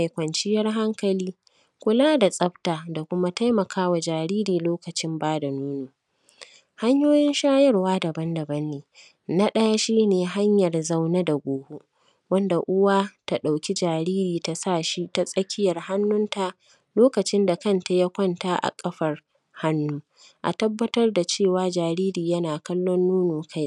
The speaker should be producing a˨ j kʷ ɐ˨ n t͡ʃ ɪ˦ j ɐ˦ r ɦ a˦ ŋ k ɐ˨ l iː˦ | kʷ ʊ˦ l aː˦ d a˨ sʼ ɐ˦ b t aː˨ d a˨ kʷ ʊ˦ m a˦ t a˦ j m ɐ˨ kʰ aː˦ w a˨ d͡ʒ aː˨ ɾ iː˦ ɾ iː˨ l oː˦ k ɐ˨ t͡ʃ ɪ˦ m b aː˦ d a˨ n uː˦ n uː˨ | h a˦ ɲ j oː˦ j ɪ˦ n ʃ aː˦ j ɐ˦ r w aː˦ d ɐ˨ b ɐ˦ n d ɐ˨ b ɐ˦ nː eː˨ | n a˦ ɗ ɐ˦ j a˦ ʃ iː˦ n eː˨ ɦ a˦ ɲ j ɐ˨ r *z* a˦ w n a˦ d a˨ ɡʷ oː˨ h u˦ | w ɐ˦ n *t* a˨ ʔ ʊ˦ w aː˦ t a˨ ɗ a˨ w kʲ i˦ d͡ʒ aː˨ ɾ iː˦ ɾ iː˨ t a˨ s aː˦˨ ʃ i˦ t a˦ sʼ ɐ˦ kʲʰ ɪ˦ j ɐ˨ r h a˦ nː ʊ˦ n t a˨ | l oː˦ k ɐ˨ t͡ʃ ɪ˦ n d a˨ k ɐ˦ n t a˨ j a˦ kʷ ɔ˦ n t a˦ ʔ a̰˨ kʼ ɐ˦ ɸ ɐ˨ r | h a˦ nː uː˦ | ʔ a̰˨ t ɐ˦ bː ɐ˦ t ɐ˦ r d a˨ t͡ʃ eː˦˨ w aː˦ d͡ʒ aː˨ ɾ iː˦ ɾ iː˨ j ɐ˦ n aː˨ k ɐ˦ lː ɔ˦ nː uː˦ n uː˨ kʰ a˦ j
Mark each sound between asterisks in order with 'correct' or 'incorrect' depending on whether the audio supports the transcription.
correct, incorrect: d

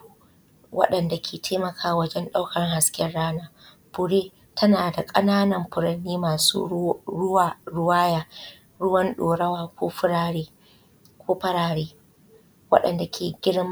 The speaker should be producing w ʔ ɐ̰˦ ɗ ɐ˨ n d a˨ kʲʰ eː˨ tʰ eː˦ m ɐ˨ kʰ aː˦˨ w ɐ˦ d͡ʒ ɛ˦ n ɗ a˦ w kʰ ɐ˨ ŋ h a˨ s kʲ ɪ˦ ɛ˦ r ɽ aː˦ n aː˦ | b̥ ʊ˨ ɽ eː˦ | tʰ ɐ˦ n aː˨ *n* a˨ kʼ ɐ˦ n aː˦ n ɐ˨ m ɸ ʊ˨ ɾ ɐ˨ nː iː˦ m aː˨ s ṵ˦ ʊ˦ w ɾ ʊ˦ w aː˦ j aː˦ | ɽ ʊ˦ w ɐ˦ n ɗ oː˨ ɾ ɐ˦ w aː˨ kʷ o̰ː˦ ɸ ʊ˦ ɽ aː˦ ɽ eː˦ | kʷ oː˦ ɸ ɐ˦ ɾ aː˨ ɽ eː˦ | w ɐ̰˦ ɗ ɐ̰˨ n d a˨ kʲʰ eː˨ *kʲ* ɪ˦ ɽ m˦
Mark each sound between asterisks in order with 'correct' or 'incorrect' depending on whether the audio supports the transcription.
incorrect: d, incorrect: ɡʲ

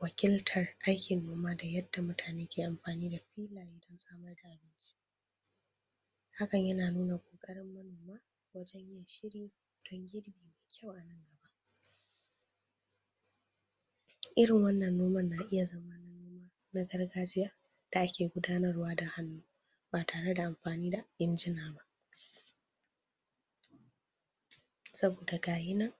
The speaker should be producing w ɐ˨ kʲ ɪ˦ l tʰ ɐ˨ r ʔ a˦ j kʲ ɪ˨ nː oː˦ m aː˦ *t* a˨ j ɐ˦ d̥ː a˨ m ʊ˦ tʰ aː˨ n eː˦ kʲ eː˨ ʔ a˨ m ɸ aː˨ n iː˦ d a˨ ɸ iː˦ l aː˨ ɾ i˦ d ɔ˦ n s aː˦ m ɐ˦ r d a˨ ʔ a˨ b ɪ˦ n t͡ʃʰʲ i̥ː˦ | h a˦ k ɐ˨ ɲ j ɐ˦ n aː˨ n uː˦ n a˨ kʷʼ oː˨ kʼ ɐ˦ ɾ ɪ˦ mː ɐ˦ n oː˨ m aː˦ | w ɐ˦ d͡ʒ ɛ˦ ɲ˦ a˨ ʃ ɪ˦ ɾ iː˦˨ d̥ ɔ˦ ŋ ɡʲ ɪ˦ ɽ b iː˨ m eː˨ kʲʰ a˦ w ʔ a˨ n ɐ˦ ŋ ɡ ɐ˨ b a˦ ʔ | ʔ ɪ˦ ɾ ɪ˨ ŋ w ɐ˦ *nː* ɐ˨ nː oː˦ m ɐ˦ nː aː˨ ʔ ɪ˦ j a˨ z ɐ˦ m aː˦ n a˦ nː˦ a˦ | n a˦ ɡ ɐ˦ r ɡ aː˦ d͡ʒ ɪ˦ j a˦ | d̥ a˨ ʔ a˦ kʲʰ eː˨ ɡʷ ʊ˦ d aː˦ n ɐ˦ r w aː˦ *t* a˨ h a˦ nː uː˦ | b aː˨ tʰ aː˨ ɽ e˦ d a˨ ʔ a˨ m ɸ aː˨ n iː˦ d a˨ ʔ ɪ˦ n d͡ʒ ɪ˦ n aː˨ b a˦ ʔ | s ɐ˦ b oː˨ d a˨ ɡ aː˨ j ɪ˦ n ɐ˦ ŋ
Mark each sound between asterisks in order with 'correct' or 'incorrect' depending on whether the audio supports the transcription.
incorrect: d, correct, incorrect: d

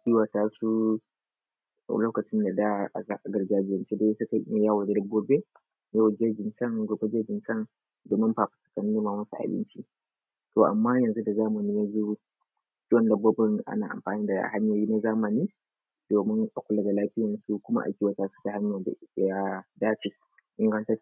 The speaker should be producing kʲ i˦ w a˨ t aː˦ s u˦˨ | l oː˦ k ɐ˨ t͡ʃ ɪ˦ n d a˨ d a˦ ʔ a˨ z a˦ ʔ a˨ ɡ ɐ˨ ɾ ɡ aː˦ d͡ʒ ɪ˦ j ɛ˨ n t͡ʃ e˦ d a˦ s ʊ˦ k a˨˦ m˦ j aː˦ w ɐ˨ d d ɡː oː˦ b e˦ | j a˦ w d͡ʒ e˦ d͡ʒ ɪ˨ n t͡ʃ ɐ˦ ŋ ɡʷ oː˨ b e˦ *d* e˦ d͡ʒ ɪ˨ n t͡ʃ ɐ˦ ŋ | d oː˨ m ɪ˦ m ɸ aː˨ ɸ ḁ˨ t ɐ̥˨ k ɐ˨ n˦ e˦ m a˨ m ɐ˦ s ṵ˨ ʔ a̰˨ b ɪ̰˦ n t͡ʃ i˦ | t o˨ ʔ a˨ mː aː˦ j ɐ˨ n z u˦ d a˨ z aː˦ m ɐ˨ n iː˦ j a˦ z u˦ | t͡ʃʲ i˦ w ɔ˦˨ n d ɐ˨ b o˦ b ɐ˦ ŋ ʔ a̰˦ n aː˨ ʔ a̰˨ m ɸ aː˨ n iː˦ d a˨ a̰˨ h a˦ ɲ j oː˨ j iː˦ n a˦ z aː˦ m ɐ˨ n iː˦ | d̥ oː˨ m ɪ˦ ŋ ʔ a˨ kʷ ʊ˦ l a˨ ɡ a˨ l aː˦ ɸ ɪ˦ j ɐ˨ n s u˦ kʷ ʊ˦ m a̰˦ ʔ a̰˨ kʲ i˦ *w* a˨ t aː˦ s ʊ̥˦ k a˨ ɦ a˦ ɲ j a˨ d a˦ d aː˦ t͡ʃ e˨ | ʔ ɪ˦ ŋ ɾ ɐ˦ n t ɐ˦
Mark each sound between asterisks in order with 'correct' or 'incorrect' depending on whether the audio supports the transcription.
incorrect: d͡ʒ, correct

